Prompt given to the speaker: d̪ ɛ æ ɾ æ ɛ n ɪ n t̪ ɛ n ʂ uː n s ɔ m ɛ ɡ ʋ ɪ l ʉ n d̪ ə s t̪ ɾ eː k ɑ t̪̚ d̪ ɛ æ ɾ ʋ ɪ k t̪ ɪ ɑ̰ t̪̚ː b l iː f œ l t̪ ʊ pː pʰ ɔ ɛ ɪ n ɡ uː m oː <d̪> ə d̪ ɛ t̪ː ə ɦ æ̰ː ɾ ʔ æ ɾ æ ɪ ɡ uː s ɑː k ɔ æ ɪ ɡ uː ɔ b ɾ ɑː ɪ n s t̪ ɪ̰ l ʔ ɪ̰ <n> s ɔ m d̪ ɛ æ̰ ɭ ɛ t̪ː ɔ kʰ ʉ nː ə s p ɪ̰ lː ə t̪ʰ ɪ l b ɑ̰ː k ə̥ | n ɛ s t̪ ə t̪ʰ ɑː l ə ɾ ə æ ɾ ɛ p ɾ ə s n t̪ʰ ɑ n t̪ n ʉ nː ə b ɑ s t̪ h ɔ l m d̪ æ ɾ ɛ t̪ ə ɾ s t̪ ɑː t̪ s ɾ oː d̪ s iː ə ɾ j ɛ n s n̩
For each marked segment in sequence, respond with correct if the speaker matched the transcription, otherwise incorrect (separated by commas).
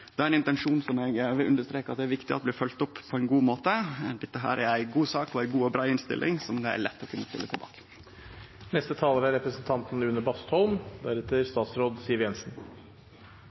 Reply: incorrect, incorrect